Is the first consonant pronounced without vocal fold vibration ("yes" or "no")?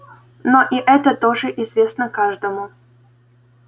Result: no